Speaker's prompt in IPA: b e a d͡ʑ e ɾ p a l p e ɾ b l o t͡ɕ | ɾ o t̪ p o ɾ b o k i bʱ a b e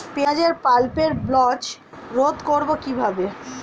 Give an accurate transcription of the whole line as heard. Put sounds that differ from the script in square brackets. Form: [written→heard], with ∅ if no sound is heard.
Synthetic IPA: [b→p] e a d͡ʑ e ɾ p a l p e ɾ b l [o→ɔ] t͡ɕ | ɾ o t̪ [p→k] o ɾ b o k i bʱ a b e